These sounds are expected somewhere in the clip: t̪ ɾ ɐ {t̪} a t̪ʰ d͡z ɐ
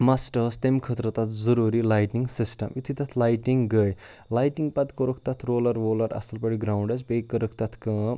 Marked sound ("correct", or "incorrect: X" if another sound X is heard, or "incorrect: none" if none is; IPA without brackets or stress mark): correct